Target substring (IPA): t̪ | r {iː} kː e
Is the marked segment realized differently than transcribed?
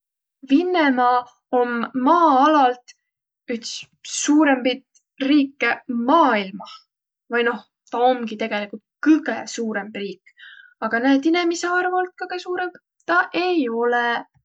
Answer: no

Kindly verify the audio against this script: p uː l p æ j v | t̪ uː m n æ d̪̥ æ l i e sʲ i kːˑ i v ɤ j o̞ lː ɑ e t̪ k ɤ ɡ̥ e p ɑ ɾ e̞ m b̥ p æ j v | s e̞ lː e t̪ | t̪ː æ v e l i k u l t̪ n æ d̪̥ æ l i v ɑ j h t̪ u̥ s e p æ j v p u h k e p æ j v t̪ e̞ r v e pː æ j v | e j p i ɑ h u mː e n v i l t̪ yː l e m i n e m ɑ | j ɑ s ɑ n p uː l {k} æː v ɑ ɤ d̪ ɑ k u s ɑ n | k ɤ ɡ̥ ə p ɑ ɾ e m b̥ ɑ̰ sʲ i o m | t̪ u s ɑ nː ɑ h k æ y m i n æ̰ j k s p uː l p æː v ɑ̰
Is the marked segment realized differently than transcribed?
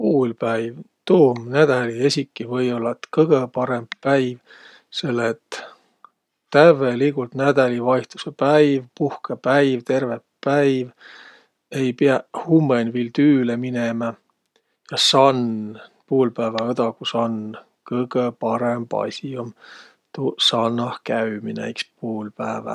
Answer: yes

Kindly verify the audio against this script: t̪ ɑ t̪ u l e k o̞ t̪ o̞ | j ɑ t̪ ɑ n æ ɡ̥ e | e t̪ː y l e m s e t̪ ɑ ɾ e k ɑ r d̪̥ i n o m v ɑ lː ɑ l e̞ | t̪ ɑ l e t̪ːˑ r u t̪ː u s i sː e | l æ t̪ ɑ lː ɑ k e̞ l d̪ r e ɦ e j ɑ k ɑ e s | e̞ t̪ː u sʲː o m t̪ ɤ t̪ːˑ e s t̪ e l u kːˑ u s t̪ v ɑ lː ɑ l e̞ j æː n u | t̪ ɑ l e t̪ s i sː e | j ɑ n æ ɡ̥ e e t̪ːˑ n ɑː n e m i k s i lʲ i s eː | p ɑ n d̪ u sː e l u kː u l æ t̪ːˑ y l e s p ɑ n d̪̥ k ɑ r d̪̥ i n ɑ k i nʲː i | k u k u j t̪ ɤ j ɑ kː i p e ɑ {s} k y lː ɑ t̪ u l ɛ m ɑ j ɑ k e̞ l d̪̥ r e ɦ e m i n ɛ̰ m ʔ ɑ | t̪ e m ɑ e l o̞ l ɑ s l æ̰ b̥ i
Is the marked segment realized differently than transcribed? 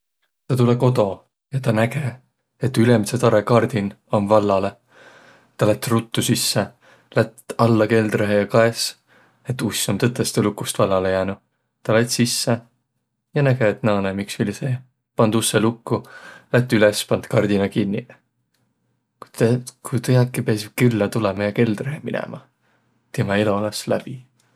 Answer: no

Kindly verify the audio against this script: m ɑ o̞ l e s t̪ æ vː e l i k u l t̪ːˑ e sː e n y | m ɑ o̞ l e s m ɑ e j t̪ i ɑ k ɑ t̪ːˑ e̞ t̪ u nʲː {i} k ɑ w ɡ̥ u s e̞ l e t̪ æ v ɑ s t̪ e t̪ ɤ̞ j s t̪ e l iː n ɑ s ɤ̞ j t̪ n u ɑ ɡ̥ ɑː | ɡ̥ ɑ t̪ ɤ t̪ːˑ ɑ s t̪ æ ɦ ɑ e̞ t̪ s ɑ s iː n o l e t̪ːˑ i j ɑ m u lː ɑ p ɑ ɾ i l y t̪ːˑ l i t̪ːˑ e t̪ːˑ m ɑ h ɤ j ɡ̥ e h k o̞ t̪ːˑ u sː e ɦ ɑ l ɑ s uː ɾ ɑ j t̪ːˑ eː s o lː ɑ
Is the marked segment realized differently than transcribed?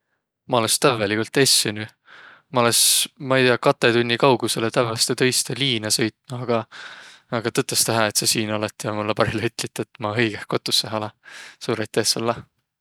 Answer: no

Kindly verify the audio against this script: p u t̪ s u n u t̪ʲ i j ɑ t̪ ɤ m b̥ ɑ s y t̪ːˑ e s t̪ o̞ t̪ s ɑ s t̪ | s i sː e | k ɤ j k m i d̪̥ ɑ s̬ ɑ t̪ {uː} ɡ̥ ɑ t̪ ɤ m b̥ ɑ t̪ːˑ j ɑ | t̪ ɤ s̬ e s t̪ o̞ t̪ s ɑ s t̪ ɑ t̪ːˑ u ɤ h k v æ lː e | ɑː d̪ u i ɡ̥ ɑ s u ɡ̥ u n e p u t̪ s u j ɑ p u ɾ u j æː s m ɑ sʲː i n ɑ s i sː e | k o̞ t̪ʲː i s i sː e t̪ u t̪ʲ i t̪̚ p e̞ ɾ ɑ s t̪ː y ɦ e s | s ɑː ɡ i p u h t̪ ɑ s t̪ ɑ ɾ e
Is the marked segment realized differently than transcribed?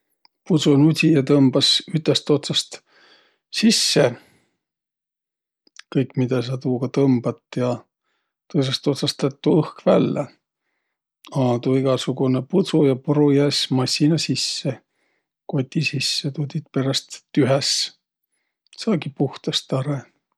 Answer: no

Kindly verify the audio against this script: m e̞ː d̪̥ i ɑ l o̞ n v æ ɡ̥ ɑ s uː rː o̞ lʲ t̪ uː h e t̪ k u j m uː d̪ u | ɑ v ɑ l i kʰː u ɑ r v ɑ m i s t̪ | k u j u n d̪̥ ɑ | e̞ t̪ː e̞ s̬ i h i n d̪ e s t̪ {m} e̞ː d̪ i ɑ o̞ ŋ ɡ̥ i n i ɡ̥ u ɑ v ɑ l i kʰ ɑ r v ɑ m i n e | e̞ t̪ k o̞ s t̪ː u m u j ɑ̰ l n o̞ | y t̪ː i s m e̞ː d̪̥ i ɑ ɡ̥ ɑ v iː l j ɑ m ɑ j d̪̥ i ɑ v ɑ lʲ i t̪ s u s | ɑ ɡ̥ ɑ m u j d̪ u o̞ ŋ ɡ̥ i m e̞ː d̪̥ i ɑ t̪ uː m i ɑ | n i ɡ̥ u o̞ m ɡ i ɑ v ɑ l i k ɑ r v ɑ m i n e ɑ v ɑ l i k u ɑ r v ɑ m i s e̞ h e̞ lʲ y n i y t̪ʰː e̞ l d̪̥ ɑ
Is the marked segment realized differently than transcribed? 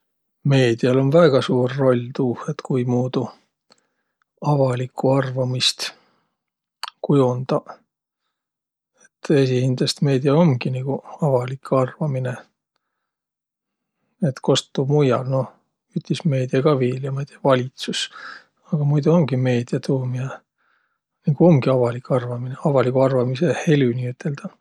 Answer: no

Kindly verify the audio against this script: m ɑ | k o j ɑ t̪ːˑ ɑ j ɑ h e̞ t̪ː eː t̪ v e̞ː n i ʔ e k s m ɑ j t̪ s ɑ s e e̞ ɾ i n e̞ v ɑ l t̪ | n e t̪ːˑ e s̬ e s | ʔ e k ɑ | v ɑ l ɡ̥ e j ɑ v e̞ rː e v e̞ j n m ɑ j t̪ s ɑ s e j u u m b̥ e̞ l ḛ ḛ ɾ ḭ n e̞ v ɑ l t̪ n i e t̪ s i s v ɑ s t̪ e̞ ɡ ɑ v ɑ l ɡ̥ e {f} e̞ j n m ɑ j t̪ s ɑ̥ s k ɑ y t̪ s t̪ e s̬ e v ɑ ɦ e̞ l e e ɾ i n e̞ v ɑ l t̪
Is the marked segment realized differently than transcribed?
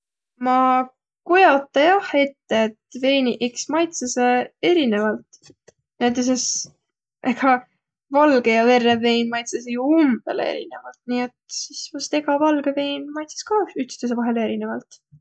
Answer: yes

